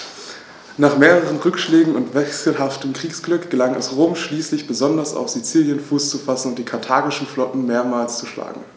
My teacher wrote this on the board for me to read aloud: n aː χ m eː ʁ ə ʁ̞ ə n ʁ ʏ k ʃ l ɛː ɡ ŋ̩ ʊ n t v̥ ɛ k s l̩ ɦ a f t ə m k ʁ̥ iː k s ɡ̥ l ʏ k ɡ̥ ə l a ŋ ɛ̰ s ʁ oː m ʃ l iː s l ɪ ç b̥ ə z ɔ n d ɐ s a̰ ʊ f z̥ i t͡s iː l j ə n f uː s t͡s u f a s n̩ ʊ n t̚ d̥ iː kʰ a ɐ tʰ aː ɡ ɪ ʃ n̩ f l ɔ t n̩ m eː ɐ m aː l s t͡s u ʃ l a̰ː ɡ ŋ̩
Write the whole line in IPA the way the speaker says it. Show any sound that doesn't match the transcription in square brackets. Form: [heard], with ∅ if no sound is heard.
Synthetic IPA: n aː χ m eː ʁ ə ʁ̞ ə n ʁ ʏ k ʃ l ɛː ɡ ŋ̩ ʊ n t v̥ ɛ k s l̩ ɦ a f t ə m k ʁ̥ iː k s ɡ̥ l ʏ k ɡ̥ ə l a ŋ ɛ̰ s ʁ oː m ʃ l iː s l ɪ ç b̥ ə z ɔ n d ɐ s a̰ ʊ f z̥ i t͡s iː l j ə n f uː s t͡s u f a s n̩ ʊ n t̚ d̥ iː kʰ a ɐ tʰ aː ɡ ɪ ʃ n̩ f l ɔ t n̩ m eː ɐ m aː l s t͡s u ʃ l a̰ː ɡ ŋ̩